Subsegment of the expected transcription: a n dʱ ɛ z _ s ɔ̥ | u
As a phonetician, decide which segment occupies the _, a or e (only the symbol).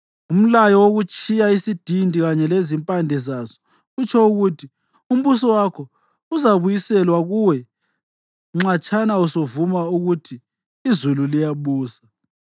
a